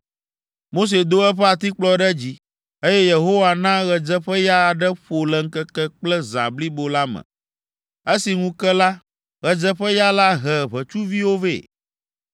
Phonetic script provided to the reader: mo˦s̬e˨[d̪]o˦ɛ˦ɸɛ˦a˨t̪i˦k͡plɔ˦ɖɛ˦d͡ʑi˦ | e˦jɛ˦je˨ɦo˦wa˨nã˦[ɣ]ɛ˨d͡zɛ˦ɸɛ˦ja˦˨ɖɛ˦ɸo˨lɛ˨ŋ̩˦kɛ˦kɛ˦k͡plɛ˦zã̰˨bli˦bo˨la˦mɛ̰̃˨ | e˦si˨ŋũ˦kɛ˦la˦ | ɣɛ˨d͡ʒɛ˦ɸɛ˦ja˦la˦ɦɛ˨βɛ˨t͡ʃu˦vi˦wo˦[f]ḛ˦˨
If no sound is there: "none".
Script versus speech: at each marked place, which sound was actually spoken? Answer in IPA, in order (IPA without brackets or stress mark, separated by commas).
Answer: d̪, ɣ, v